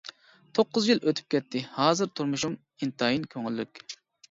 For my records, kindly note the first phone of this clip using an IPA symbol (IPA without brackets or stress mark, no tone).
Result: t̪ʰ